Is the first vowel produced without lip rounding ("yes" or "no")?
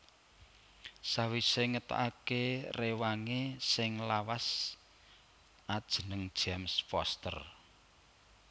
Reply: yes